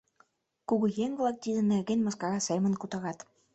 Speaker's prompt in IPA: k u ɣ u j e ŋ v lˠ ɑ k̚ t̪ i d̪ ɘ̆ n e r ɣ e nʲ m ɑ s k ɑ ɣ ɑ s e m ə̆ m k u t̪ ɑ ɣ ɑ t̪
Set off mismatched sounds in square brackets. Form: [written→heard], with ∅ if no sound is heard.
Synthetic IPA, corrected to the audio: k u ɣ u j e ŋ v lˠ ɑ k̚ t̪ i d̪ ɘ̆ n e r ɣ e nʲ m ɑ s k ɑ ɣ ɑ s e m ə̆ [m→n] k u t̪ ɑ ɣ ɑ t̪